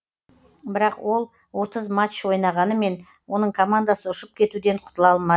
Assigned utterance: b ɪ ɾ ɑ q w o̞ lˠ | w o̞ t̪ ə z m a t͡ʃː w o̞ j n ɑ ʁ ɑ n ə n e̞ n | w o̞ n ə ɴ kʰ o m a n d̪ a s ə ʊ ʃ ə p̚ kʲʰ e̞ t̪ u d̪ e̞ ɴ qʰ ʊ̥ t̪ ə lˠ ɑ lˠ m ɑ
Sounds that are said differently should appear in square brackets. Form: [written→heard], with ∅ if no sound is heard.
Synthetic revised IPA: b ɪ ɾ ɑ q w o̞ lˠ | w o̞ t̪ ə z m a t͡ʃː w o̞ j n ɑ ʁ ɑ n ə [n→m] e̞ n | w o̞ n ə ɴ kʰ o m a n d̪ a s ə ʊ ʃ ə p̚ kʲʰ e̞ t̪ u d̪ e̞ ɴ qʰ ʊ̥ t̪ ə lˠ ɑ lˠ m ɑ